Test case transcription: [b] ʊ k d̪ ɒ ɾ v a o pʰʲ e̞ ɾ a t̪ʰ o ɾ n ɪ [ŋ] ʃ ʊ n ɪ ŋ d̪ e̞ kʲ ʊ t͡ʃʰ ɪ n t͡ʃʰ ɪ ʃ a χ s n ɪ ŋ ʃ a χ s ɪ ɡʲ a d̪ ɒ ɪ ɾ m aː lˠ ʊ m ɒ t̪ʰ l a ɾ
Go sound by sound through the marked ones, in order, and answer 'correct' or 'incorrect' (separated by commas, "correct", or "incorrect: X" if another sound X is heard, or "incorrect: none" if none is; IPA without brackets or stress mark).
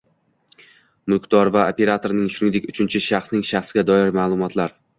incorrect: m, correct